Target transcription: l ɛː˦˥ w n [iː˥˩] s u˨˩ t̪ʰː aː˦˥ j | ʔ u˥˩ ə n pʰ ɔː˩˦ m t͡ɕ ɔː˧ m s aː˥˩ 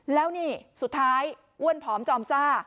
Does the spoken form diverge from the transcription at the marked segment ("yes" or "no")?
no